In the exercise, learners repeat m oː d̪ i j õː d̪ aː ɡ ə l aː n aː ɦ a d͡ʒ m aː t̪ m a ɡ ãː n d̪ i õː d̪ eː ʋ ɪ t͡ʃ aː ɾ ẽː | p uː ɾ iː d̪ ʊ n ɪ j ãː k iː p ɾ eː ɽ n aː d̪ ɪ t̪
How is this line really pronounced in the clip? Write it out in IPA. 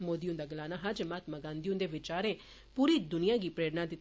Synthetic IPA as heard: m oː d̪ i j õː d̪ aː ɡ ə l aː n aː ɦ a d͡ʒ m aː t̪ m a ɡ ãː n d̪ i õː d̪ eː ʋ ɪ t͡ʃ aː ɾ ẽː | p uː ɾ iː d̪ ʊ n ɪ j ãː ɡ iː p ɾ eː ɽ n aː d̪ ɪ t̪